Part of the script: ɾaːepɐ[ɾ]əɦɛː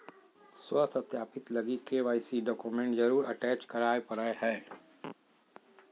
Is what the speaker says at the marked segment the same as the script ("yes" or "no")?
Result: yes